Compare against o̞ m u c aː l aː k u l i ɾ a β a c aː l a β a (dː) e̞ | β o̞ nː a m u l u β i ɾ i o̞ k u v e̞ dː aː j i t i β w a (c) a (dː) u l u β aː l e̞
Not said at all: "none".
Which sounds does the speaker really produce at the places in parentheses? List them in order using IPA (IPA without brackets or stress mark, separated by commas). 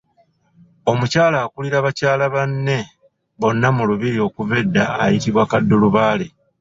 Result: nː, k, dː